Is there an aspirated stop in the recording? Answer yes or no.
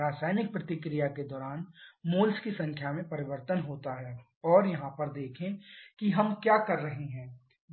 yes